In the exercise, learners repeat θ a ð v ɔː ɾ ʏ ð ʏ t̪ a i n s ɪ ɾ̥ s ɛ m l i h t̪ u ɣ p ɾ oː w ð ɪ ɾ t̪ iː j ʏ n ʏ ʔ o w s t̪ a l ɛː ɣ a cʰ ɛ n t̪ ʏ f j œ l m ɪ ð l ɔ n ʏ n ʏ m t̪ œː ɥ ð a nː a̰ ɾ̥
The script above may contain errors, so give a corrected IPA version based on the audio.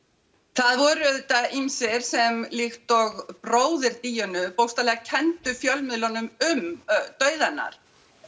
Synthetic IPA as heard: θ a ð v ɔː ɾ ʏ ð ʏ t̪ a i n s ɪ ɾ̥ s ɛ m l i x t̪ ɔ ɣ p ɾ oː w ð ɪ ɾ t̪ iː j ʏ n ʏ p o w s t̪ a l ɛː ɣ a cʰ ɛ n t̪ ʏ f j œ l m ɪ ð l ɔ n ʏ m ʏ m t̪ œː ɥ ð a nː a̰ ɾ̥